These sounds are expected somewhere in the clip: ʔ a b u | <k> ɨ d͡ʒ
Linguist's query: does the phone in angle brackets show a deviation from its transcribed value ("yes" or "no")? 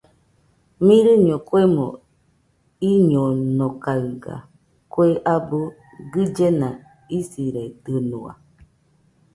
yes